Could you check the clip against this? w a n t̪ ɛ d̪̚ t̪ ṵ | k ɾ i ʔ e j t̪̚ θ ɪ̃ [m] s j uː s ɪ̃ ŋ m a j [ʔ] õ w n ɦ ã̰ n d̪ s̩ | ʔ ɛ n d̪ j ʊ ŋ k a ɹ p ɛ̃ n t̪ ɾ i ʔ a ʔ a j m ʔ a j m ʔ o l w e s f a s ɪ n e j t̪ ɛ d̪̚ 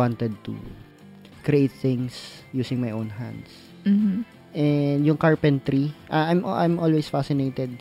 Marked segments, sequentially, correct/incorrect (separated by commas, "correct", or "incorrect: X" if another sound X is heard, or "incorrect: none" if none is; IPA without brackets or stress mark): incorrect: ŋ, correct